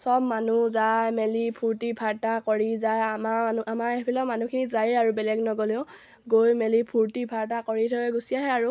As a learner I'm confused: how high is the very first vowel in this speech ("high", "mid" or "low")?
mid